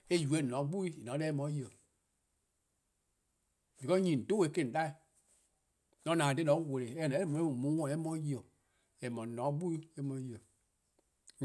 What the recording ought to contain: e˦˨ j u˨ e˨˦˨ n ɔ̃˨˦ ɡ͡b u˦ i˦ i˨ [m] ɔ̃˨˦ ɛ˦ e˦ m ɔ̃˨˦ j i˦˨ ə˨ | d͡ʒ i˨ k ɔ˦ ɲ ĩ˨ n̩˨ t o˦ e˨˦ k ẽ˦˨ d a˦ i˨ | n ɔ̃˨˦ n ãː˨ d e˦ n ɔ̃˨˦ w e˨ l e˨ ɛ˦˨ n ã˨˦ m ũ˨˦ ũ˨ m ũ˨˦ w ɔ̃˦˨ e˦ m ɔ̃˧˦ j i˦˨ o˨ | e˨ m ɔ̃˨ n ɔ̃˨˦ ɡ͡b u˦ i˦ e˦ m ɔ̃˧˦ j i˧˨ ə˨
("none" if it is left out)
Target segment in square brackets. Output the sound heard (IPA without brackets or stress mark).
n